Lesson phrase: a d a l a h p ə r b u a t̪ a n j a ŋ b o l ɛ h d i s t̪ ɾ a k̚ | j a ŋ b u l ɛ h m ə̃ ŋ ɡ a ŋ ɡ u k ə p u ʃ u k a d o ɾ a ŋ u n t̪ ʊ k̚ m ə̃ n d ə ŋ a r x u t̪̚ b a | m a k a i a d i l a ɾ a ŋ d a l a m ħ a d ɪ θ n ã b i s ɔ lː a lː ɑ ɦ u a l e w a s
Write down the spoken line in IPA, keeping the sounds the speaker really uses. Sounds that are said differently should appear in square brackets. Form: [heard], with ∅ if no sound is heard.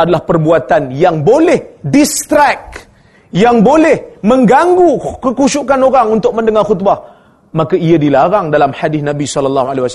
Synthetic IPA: a d a l a h p ə r b u a t̪ a n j a ŋ b o l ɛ h d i s t̪ ɾ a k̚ | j a ŋ b [o] l ɛ h m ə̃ ŋ ɡ a ŋ ɡ u k ə [k] u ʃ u k a [n] o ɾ a ŋ u n t̪ ʊ k̚ m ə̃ n d ə ŋ a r x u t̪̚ b a | m a k a i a d i l a ɾ a ŋ d a l a m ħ a d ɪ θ n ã b i s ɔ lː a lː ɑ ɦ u a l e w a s